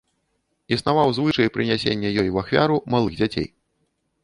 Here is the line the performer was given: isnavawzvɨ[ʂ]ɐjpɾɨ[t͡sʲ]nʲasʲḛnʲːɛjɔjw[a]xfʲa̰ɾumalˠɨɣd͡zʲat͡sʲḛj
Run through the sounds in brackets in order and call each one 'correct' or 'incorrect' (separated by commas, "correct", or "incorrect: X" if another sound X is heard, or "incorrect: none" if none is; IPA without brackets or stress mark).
correct, incorrect: none, correct